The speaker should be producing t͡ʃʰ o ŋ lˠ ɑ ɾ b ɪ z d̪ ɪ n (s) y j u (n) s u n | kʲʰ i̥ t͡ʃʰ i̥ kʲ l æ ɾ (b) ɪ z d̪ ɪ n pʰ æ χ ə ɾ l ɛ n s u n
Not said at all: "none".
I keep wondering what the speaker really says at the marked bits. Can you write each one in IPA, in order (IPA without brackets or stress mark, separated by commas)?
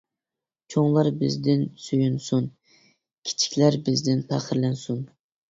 s, n, b